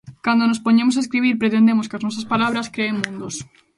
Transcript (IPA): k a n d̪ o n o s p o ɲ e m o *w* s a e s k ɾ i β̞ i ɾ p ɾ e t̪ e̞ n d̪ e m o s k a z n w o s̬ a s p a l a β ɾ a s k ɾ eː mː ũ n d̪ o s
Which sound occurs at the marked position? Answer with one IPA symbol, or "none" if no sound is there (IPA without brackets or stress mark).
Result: none